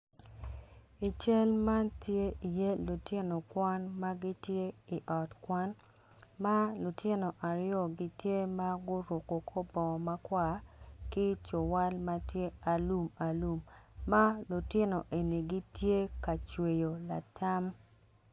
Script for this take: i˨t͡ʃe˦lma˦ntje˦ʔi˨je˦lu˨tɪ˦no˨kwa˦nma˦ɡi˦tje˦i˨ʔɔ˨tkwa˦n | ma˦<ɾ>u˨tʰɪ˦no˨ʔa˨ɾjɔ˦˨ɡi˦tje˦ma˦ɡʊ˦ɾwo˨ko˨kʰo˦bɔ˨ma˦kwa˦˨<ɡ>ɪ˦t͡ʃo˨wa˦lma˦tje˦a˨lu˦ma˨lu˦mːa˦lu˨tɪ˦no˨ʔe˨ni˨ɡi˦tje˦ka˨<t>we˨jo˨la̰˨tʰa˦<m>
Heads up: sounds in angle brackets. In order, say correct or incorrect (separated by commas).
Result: incorrect, incorrect, incorrect, correct